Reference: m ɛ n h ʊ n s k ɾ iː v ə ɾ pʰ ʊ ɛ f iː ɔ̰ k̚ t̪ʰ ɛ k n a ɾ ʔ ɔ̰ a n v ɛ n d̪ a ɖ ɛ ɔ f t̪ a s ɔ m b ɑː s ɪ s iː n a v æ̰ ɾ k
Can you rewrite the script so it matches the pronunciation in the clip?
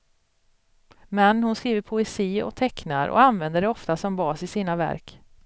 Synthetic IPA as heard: m ɛ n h ʊ n s k ɾ iː v ə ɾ pʰ ʊ ɛ s iː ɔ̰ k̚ t̪ʰ ɛ k n a ɾ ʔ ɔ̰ a n v ɛ n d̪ ə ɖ ɛ ɔ f t̪ a s ɔ m b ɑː s ɪ s iː n a v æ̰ ɾ k